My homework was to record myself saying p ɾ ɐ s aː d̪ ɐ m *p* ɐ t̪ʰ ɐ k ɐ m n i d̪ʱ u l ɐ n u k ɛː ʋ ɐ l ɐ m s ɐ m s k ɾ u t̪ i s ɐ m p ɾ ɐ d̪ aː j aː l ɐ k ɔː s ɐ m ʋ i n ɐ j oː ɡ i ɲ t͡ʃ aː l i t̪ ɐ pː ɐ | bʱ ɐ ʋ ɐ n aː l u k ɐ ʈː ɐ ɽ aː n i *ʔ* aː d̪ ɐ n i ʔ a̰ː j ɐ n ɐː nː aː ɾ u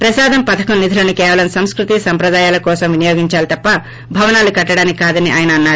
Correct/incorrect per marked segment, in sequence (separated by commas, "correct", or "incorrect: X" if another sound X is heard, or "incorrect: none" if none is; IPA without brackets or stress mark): correct, incorrect: k